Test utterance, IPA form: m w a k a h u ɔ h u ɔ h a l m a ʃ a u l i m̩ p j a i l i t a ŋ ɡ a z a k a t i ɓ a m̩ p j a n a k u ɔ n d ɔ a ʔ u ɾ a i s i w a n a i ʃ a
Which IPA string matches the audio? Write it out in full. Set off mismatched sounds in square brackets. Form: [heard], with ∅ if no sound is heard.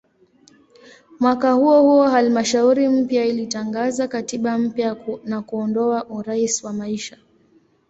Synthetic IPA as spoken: m w a k a h u ɔ h u ɔ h a l m a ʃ a u [ɾ] i m̩ p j a i l i t a ŋ ɡ a z a k a t i ɓ a m̩ p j a n a k u ɔ n d ɔ a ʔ u ɾ a i s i w a [m] a i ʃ a